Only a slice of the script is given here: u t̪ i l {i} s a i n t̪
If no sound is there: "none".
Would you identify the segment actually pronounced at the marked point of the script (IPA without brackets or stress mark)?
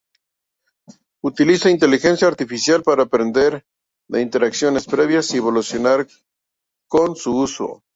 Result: i